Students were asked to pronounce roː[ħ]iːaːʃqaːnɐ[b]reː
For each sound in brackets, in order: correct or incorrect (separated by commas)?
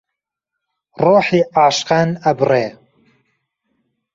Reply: correct, correct